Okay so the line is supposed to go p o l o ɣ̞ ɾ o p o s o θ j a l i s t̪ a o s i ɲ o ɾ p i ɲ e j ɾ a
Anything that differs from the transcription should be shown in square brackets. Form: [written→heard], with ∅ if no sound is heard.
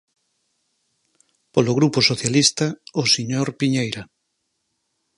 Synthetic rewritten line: p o l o ɣ̞ ɾ [o→u] p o s o θ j a l i s t̪ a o s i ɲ o ɾ p i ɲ e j ɾ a